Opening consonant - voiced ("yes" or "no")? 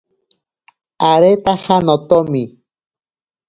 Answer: yes